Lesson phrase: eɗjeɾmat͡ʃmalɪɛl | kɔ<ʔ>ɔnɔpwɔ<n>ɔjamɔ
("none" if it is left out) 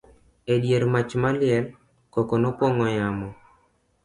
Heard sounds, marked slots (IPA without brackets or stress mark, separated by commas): k, ŋ